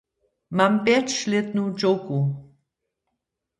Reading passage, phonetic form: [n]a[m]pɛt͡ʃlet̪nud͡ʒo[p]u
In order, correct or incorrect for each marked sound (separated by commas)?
incorrect, correct, incorrect